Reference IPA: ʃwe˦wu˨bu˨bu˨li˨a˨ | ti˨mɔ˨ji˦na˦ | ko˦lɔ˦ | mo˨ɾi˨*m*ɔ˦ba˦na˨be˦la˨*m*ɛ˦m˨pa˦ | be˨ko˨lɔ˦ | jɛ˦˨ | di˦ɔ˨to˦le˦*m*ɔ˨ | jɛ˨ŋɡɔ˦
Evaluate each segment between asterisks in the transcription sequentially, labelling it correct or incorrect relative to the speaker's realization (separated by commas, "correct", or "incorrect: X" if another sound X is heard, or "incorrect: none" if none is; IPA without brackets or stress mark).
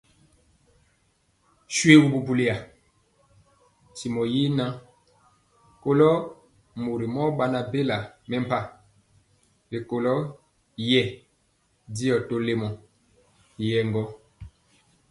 correct, correct, correct